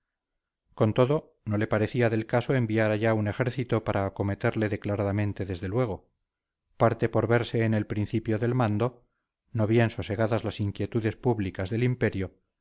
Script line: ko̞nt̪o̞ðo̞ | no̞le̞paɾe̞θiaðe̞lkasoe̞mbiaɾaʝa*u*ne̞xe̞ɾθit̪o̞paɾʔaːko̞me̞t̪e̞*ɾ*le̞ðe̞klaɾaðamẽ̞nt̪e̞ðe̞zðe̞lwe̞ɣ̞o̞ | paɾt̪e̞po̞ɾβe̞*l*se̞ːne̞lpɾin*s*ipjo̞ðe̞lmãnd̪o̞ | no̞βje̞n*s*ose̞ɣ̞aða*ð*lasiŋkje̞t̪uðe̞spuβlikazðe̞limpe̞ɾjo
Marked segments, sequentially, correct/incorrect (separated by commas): correct, correct, incorrect, incorrect, correct, incorrect